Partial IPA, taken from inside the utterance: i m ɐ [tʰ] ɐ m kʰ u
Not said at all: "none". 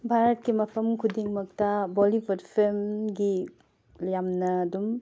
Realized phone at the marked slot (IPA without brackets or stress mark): pʰ